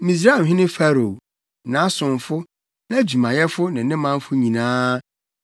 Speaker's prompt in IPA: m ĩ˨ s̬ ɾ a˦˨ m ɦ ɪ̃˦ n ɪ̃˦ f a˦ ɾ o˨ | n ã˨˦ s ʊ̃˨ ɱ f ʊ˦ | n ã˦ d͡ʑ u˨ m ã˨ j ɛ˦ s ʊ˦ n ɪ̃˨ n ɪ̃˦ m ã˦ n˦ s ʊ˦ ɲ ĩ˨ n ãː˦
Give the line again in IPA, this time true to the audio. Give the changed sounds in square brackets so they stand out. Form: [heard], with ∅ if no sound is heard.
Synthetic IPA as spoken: m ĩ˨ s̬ ɾ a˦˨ m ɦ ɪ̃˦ n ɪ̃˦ f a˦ ɾ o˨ | n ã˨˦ s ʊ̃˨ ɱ f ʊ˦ | n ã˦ d͡ʑ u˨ m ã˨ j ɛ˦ [f] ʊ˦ n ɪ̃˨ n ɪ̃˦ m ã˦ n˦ [f] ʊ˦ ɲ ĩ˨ n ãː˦